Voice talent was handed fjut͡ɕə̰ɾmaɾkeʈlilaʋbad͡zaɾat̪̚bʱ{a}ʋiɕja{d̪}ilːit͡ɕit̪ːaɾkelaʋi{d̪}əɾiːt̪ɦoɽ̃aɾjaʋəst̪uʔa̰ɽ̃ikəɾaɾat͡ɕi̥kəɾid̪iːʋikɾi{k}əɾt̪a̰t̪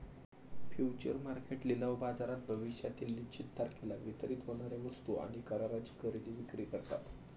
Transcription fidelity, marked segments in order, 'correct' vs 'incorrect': incorrect: ə, incorrect: t̪, incorrect: t̪, correct

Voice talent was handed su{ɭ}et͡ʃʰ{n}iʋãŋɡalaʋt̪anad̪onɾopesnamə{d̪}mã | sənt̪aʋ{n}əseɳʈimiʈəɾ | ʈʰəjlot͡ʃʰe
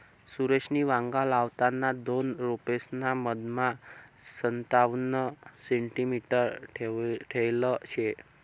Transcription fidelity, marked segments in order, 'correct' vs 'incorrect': incorrect: ɾ, correct, correct, correct

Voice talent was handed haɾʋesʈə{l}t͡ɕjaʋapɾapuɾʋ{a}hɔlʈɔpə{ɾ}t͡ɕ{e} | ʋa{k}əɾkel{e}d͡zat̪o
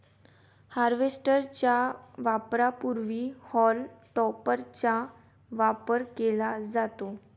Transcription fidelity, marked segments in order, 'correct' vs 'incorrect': incorrect: ɾ, incorrect: i, correct, incorrect: a, incorrect: p, incorrect: a

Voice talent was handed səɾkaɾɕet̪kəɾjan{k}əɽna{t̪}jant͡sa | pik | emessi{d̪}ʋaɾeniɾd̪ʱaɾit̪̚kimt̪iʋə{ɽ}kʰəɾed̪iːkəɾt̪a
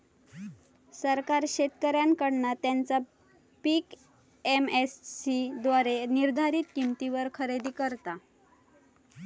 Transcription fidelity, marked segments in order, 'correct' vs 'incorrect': correct, correct, correct, incorrect: ɾ

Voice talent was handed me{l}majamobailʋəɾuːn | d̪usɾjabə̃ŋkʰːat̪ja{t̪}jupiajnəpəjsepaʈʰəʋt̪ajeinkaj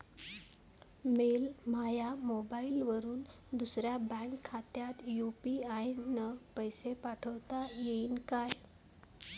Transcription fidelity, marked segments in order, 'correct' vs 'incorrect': correct, correct

